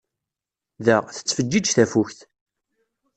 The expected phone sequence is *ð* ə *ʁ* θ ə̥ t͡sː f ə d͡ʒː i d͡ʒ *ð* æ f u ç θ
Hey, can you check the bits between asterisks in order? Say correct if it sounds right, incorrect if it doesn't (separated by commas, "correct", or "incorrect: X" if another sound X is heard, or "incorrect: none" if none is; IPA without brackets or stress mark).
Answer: correct, correct, incorrect: θ